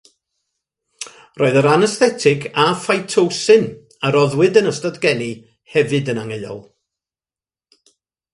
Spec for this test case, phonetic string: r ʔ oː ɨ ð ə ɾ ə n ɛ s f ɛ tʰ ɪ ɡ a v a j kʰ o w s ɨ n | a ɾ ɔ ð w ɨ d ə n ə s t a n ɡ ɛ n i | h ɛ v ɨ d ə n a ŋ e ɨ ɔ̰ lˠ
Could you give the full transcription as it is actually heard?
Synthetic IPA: r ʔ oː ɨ ð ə ɾ a n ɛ s θ ɛ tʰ ɪ ɡ a f a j tʰ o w s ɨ n | a ɾ ɔ ð w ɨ d ə n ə s t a d ɡ ɛ n i | h ɛ v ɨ d ə n a ŋ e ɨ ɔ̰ lˠ